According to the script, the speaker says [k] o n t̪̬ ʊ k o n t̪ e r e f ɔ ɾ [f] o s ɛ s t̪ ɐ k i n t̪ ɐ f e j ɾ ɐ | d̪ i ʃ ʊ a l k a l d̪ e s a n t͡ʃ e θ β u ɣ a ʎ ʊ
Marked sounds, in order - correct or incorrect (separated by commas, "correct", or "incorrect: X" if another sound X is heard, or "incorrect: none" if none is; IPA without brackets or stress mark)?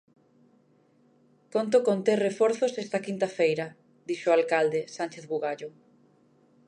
correct, incorrect: θ